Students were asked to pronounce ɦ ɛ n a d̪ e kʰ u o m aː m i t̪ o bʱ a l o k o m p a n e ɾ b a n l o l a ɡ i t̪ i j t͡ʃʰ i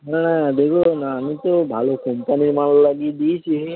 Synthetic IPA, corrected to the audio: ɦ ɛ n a d̪ e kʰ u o n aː m i t̪ o bʱ a l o k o m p a n i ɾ m a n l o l a ɡ i d̪ i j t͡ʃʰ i